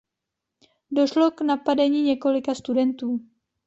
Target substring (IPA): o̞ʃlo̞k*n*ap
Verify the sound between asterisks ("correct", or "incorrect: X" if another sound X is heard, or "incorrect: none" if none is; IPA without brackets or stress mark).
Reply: correct